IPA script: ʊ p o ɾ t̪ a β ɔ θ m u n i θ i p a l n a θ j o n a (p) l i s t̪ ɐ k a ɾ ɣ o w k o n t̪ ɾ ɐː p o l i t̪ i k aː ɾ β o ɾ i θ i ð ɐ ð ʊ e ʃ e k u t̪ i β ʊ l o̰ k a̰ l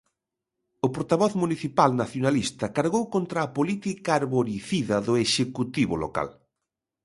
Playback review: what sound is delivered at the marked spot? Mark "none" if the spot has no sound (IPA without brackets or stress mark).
none